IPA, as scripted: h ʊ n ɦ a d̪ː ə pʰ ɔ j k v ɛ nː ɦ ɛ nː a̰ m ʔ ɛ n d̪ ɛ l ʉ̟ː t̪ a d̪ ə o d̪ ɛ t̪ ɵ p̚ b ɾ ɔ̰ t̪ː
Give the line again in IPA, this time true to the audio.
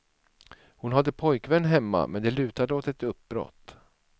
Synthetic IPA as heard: h ʊ n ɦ a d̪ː ə pʰ ɔ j k v ɛ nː ɦ ɛ mː a̰ m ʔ ɛ n d̪ ɛ l ʉ̟ː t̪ a d̪ ə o t̪ ɛ t̪ ɵ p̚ b ɾ ɔ̰ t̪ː